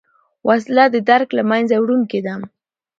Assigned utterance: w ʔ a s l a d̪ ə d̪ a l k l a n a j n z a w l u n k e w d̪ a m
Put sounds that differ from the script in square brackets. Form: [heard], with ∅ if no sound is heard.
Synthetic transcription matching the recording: w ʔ a s l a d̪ ə d̪ a [ɾ] k l a [m] a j n z a w [ɽ] u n k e [∅] d̪ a m